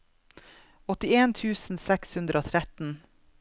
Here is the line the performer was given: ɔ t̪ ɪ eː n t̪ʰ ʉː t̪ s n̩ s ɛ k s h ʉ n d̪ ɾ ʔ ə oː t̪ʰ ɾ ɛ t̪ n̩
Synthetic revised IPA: ɔ t̪ ɪ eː n t̪ʰ ʉː s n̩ s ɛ k s h ʉ n d̪ ɾ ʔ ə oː t̪ʰ ɾ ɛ t̪ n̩